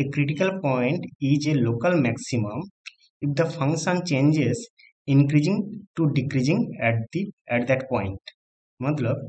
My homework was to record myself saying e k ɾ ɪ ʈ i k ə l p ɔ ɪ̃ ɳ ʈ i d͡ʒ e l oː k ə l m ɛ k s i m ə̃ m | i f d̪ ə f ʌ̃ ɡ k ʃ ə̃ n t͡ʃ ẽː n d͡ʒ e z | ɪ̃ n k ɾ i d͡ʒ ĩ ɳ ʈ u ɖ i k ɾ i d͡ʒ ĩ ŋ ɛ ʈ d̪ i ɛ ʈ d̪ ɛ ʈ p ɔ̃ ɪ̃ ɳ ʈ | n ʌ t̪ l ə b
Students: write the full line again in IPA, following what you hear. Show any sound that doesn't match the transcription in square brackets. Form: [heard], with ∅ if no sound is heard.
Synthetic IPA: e k ɾ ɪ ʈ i k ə l p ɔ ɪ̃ ɳ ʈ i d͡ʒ e l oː k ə l m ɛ k s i m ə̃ m | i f d̪ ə f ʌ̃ [ŋ] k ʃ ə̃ n t͡ʃ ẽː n d͡ʒ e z | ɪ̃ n k ɾ i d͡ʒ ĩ [ŋ] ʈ u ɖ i k ɾ i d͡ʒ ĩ ŋ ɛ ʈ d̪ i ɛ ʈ d̪ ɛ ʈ p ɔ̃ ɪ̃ ɳ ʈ | [m] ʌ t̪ l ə b